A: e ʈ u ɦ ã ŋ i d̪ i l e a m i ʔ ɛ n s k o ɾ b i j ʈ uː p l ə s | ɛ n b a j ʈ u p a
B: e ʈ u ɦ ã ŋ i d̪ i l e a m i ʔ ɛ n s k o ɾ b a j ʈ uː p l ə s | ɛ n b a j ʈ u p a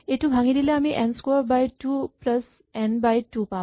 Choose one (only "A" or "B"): B